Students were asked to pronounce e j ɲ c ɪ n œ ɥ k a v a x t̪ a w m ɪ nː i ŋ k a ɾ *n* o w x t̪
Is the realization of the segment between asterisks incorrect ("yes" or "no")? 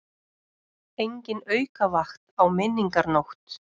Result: no